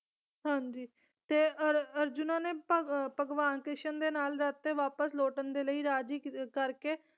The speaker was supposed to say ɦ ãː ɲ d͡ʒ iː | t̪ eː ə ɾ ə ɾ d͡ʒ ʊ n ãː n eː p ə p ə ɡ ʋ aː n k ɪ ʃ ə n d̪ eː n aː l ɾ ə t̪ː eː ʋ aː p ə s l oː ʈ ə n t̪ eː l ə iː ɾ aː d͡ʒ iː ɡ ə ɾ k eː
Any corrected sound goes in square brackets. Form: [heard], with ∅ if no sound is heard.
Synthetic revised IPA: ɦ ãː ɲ d͡ʒ iː | t̪ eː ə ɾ ə ɾ d͡ʒ ʊ n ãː n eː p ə p ə ɡ ʋ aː n k ɪ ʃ ə n d̪ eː n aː l ɾ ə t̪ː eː ʋ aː p ə s l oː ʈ ə n [d̪] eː l ə iː ɾ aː d͡ʒ iː [k] ə ɾ k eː